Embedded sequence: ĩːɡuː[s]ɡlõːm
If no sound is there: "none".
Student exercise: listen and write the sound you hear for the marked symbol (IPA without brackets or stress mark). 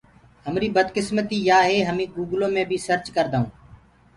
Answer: none